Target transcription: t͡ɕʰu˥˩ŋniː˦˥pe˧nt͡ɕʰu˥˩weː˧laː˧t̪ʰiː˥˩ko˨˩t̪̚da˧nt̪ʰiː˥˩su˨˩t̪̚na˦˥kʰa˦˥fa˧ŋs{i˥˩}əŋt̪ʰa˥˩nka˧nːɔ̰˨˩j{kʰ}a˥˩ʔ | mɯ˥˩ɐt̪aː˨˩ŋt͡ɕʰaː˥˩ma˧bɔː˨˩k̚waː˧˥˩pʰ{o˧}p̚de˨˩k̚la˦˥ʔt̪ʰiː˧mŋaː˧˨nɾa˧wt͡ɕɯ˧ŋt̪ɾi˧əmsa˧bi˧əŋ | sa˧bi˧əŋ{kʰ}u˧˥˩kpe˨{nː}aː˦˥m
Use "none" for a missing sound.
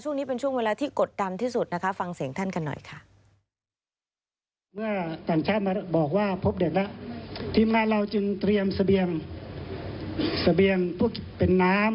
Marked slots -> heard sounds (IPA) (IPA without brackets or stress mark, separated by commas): i˨˩˦, kʰ, o˦˥, pʰ, nː